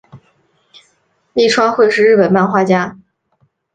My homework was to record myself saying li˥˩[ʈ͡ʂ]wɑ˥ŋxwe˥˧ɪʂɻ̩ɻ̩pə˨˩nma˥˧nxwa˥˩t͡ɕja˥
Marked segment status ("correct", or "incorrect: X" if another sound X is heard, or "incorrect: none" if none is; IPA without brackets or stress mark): incorrect: ʈ͡ʂʰ